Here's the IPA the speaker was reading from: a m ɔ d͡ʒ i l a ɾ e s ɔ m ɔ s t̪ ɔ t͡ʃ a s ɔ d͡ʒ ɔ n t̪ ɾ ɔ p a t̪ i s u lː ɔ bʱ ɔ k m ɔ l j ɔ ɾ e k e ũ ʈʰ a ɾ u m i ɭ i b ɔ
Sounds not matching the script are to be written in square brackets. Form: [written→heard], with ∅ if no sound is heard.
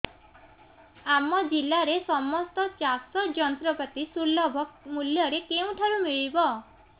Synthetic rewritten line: a m ɔ d͡ʒ i l a ɾ e s ɔ m ɔ s t̪ ɔ t͡ʃ a s ɔ d͡ʒ ɔ n t̪ ɾ ɔ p a t̪ i s u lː ɔ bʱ ɔ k m [ɔ→u] l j ɔ ɾ e k e ũ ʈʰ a ɾ u m i ɭ i b ɔ